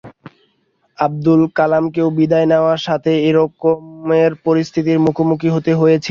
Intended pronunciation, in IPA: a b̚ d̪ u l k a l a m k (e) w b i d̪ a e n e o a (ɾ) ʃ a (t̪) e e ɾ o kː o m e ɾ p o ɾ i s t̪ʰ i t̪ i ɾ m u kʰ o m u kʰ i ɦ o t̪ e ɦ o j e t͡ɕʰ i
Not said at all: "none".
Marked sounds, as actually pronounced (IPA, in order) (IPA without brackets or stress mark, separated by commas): e, ɾ, t̪ʰ